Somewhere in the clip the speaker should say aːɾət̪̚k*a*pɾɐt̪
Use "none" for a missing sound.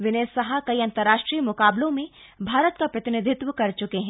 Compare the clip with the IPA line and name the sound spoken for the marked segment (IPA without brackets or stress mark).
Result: a